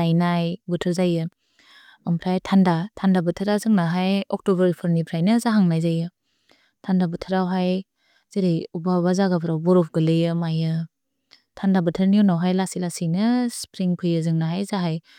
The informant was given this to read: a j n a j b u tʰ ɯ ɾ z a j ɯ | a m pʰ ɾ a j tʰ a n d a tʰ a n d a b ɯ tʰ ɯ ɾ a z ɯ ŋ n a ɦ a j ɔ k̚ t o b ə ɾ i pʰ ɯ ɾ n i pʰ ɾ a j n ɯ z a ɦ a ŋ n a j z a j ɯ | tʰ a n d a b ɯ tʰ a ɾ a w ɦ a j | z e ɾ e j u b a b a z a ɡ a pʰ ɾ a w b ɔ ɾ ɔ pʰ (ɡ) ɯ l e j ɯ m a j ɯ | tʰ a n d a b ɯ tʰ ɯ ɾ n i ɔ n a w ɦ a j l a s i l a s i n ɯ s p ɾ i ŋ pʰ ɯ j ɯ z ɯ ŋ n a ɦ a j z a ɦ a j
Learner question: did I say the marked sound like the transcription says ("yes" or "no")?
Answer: yes